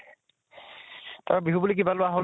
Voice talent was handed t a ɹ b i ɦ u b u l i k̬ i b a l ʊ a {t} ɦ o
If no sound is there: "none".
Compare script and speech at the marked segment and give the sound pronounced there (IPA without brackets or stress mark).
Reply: none